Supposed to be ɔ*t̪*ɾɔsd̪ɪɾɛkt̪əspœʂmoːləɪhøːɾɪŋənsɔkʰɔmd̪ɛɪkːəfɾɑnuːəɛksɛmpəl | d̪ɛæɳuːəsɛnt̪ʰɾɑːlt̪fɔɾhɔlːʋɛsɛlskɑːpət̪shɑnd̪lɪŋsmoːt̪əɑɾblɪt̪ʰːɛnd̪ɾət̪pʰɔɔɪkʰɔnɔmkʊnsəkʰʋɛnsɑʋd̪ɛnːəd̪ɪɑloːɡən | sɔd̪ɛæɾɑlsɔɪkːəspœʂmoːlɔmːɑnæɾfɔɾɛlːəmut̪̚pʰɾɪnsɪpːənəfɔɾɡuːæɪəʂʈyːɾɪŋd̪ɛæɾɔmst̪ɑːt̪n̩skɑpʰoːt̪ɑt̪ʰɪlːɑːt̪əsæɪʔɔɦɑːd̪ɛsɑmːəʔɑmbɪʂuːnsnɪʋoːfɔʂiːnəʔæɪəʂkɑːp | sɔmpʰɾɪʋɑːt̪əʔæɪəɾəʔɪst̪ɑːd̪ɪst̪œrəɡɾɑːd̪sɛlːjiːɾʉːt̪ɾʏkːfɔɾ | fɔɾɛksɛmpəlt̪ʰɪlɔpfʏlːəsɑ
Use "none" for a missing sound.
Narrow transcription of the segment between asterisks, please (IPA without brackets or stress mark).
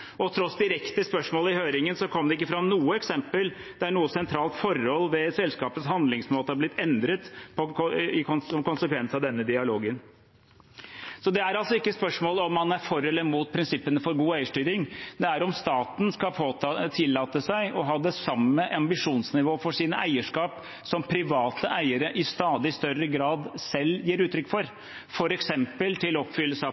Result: t̪ʰ